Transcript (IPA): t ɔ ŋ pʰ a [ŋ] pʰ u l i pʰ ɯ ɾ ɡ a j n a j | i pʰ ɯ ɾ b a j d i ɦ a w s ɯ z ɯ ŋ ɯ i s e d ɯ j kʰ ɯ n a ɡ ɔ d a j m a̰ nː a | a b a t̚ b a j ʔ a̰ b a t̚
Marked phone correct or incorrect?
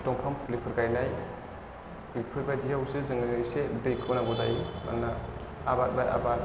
incorrect